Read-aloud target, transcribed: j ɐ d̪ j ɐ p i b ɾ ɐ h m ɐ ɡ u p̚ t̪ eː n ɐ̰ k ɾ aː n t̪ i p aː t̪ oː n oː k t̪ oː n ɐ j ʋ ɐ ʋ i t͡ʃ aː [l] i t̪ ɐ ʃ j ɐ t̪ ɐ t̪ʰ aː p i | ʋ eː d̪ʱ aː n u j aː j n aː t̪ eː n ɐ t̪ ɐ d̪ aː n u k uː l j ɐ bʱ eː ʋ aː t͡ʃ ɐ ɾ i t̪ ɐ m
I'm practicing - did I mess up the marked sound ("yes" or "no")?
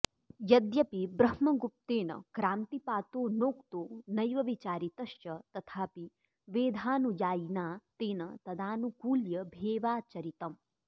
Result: yes